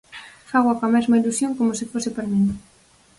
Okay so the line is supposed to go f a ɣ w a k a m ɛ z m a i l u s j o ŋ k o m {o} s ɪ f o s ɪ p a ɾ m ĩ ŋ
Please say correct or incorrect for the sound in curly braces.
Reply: correct